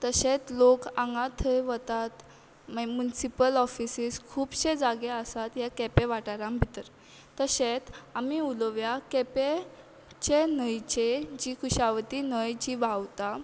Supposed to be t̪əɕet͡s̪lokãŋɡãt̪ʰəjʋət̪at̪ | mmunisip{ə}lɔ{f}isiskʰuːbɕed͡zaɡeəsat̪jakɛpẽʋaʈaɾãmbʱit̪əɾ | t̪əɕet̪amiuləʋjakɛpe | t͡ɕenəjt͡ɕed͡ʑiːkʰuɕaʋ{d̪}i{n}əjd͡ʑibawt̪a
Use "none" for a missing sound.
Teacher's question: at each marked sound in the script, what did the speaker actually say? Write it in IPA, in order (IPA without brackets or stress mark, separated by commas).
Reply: ə, f, t̪, n